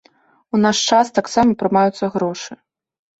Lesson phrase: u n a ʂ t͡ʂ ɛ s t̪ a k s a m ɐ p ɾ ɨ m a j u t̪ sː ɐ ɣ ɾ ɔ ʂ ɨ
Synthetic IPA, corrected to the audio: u n a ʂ t͡ʂ a s t̪ a k s a m ɐ p ɾ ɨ m a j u t̪ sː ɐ ɣ ɾ ɔ ʂ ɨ